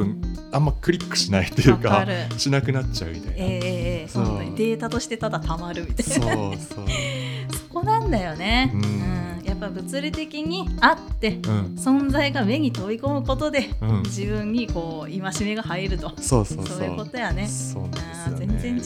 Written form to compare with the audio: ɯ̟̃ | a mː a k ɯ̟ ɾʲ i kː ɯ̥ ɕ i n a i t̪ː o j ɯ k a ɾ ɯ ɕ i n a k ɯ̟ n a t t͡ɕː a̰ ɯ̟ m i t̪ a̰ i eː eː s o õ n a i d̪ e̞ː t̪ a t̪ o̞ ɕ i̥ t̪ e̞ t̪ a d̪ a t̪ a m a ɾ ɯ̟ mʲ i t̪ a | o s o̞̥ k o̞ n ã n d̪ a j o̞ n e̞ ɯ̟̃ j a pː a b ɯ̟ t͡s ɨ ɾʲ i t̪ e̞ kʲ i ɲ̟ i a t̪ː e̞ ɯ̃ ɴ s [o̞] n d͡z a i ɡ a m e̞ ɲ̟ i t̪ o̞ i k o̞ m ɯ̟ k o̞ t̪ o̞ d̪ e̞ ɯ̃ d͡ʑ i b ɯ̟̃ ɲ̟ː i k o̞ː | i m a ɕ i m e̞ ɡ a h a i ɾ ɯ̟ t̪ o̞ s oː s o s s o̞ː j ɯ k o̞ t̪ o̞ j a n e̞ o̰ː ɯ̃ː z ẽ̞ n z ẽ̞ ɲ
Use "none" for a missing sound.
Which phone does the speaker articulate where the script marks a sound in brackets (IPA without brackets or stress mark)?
õ̞